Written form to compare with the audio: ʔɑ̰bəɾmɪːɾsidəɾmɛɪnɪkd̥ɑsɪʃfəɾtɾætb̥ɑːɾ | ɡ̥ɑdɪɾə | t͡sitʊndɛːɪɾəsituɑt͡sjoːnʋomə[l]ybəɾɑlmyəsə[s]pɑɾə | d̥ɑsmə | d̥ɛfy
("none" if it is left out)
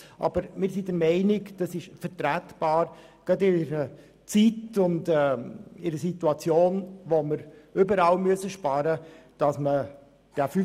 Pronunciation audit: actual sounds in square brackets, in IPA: ɾ, ʃ

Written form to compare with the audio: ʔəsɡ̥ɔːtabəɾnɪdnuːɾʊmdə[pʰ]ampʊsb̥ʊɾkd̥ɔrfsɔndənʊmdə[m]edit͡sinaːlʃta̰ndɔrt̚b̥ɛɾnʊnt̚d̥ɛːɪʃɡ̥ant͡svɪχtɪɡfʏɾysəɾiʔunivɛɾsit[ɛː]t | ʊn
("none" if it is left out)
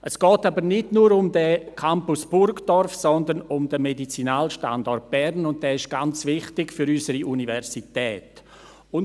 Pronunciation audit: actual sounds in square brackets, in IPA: kʰ, m, ɛː

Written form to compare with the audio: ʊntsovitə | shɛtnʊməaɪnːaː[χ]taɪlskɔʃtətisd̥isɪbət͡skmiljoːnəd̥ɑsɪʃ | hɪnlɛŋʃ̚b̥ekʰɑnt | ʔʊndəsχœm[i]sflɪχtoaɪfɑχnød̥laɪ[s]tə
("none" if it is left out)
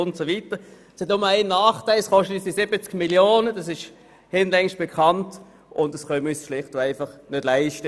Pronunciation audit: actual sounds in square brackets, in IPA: χ, y, ʃ

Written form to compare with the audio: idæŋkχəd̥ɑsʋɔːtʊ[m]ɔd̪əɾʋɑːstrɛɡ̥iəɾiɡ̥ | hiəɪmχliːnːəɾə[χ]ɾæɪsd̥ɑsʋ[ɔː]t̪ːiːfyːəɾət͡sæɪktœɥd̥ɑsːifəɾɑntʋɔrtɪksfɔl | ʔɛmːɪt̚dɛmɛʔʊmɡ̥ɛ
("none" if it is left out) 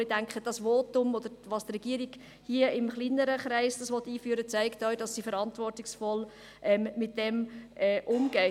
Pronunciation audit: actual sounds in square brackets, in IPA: m, χ, ɔ

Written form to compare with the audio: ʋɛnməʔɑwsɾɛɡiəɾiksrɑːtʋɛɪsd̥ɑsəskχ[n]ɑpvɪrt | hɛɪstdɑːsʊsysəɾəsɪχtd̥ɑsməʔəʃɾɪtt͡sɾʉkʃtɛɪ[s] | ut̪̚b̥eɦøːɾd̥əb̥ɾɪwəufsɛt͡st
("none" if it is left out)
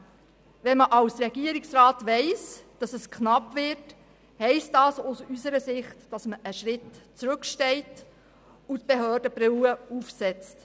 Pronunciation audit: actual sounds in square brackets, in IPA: n, t

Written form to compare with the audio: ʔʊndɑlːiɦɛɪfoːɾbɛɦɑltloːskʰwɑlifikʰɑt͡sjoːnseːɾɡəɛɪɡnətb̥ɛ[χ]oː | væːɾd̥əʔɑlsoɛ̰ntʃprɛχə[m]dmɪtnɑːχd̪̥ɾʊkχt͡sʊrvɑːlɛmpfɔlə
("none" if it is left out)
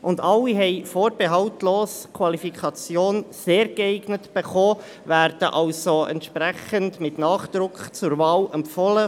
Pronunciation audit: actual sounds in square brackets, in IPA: χ, n

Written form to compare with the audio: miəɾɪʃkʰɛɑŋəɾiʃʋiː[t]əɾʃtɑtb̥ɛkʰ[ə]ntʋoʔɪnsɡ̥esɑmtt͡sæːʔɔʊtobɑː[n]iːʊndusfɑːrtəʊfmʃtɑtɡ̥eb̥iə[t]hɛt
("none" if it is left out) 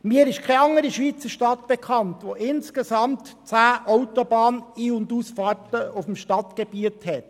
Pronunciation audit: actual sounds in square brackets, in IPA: t͡s, ɑ, n, t

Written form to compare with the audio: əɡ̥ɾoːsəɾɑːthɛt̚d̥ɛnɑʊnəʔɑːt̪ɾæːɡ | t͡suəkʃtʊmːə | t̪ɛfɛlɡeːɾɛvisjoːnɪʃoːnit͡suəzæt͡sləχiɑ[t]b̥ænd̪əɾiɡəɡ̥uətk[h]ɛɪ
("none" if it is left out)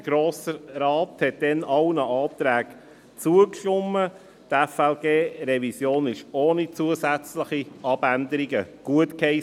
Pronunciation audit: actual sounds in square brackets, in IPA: none, h

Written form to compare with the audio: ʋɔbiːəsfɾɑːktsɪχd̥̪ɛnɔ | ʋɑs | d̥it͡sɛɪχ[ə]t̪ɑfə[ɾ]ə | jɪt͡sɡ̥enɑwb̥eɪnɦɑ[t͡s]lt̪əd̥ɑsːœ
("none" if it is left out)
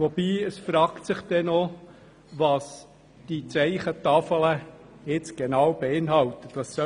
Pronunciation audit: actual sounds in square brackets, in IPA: ə, l, none

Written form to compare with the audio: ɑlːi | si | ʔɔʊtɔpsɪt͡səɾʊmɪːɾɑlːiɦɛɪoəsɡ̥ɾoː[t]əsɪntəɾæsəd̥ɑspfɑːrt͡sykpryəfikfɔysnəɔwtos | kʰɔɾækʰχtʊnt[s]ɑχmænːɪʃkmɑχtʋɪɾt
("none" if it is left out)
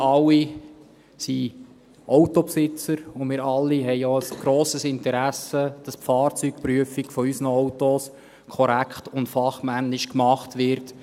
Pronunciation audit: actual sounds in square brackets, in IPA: s, f

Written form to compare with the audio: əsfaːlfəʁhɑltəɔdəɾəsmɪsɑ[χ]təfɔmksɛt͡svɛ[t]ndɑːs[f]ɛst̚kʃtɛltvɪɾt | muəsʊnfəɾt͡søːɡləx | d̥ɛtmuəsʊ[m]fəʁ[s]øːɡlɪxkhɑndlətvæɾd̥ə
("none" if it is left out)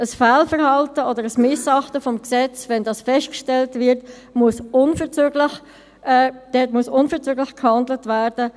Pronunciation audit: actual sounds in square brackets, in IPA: χ, none, f, n, t͡s

